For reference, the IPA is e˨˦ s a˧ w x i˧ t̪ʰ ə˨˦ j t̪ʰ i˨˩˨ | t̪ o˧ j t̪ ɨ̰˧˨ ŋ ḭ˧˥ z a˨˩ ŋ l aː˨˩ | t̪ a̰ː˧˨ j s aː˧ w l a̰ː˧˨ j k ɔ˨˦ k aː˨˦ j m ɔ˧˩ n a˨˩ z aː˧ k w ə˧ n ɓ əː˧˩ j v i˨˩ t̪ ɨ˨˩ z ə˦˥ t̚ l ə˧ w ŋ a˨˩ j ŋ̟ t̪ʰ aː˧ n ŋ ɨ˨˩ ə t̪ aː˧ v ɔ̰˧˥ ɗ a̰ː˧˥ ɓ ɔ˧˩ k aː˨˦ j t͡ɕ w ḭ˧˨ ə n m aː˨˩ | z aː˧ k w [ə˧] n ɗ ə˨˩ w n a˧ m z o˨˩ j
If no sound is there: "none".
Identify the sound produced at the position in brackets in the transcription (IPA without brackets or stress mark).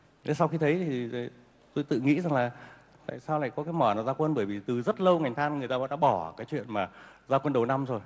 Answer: ə˧